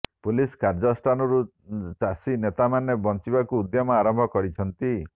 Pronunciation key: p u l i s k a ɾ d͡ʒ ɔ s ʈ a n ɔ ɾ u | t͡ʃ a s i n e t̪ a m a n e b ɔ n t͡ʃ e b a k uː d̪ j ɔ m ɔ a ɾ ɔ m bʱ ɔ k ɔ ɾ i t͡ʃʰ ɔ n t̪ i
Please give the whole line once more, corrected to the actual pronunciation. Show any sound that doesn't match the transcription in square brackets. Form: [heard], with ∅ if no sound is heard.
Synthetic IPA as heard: p u l i s k a ɾ d͡ʒ ɔ s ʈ a n ɔ ɾ u | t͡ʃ a s i n e t̪ a m a n e b ɔ n t͡ʃ [i] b a k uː d̪ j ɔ m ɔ a ɾ ɔ m bʱ ɔ k ɔ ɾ i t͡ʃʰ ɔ n t̪ i

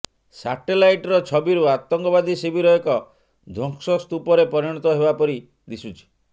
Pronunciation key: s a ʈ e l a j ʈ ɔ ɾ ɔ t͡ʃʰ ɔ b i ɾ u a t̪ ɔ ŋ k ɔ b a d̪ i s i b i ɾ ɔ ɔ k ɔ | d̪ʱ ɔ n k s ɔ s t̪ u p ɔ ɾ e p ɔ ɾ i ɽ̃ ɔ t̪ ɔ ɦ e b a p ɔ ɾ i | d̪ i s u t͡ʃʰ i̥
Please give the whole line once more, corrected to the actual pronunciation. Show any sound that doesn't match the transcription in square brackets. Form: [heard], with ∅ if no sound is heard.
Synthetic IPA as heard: s a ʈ e l a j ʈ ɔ ɾ ɔ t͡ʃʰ ɔ b i ɾ u a t̪ ɔ ŋ k ɔ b a d̪ i s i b i ɾ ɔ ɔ k ɔ | d̪ʱ ɔ [ŋ] k s ɔ s t̪ u p ɔ ɾ e p ɔ ɾ i ɽ̃ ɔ t̪ ɔ ɦ e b a p ɔ ɾ i | d̪ i s u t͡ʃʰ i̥

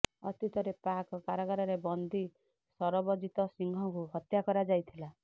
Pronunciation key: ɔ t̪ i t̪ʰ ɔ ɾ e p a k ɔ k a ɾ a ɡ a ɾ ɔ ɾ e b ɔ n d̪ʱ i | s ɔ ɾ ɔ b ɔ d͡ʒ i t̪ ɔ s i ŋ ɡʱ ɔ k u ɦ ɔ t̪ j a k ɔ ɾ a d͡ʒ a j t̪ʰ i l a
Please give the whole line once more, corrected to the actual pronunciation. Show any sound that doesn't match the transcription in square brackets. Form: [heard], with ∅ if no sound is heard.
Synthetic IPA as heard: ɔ t̪ i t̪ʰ ɔ ɾ e p a k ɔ k a ɾ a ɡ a ɾ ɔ ɾ e b ɔ n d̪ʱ i | s ɔ ɾ ɔ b ɔ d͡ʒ i t̪ ɔ s i ŋ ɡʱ ɔ k u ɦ ɔ t̪ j a k ɔ ɾ a d͡ʒ a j t̪ʰ i l a

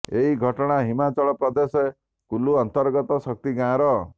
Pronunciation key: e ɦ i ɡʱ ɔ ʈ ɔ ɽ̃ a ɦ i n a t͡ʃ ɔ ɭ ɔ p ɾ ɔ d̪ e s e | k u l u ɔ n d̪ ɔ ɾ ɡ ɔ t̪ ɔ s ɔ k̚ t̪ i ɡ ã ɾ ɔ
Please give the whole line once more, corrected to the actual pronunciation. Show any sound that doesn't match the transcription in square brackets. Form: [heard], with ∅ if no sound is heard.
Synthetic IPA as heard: e ɦ i ɡʱ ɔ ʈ ɔ ɽ̃ a ɦ i [m] a t͡ʃ ɔ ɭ ɔ p ɾ ɔ d̪ e s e | k u l u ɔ n [t̪] ɔ ɾ ɡ ɔ t̪ ɔ s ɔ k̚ t̪ i ɡ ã ɾ ɔ

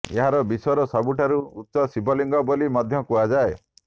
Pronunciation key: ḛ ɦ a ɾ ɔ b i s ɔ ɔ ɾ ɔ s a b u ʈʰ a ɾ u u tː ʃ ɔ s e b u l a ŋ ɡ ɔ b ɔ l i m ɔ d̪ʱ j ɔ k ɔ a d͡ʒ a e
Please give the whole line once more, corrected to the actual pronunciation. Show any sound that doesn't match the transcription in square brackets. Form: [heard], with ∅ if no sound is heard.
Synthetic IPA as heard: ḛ ɦ a ɾ ɔ b i s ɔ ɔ ɾ ɔ s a b u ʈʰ a ɾ u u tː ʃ ɔ s [i] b [ɔ] l [i] ŋ ɡ ɔ b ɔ l i m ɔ d̪ʱ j ɔ k [u] a d͡ʒ a e

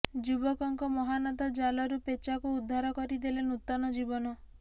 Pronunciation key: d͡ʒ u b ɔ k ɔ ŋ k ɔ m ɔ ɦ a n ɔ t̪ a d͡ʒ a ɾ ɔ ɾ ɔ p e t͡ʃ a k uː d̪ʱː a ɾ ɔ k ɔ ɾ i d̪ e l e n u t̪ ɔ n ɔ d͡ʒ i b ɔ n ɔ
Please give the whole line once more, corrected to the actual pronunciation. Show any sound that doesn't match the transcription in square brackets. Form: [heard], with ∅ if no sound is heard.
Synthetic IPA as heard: d͡ʒ u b ɔ k ɔ ŋ k ɔ m ɔ ɦ a n ɔ t̪ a d͡ʒ a [l] ɔ ɾ [u] p e t͡ʃ a k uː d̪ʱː a ɾ ɔ k ɔ ɾ i d̪ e l e n u t̪ ɔ n ɔ d͡ʒ i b ɔ n ɔ

